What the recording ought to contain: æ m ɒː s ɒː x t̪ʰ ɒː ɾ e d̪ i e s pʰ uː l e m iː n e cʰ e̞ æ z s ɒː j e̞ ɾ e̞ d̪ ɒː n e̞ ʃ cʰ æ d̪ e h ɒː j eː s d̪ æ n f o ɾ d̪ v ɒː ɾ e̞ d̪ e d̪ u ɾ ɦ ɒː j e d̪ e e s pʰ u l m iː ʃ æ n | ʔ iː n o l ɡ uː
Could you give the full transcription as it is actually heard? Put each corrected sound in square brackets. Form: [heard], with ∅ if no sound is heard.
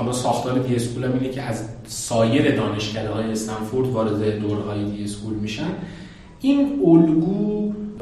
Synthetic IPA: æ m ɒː s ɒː x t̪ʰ ɒː ɾ e d̪ i e s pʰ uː l [æ] m iː n e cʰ e̞ æ z s ɒː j e̞ ɾ e̞ d̪ ɒː n e̞ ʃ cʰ æ d̪ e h ɒː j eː s [t̪] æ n f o ɾ d̪ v ɒː ɾ e̞ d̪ e d̪ [o] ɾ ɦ ɒː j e d̪ [i] e s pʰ u l m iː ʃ æ n | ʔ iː n o l ɡ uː